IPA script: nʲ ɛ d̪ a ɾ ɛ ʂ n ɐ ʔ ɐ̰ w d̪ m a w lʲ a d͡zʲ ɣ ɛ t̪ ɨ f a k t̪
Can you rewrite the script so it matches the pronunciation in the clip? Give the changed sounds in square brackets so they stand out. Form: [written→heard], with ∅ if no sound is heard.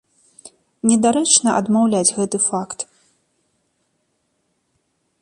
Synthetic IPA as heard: nʲ ɛ d̪ a ɾ ɛ [ʂ→t͡ʂ] n ɐ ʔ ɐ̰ [w→∅] d̪ m a w lʲ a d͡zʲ ɣ ɛ t̪ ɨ f a k t̪